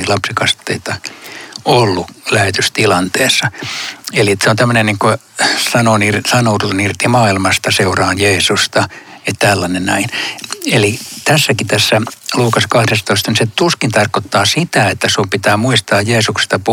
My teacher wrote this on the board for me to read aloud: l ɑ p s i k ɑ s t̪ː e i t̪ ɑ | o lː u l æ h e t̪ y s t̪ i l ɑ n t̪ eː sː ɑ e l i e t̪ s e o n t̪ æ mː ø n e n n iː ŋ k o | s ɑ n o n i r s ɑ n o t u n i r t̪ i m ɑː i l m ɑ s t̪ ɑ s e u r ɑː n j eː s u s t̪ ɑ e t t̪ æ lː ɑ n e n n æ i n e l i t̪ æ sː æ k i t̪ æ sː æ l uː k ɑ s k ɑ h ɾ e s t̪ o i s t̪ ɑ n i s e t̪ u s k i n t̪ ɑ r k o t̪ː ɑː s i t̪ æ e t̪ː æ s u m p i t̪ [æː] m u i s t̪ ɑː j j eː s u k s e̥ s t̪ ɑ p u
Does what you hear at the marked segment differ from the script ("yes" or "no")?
no